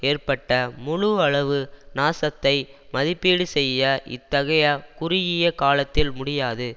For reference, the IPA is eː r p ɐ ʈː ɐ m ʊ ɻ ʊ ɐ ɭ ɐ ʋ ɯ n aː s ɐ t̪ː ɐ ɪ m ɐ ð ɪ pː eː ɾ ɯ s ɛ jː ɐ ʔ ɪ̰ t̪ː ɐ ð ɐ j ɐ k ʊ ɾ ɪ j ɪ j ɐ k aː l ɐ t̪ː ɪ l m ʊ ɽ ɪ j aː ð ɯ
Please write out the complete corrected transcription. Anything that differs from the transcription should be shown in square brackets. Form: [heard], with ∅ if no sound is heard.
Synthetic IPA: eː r p ɐ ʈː ɐ m ʊ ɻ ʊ ɐ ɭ ɐ ʋ ɯ n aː s ɐ t̪ː ɐ ɪ m ɐ ð ɪ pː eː [ɽ] ɯ s ɛ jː ɐ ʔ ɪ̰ t̪ː ɐ [ɣ] ɐ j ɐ k ʊ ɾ ɪ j ɪ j ɐ k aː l ɐ t̪ː ɪ l m ʊ ɽ ɪ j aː ð ɯ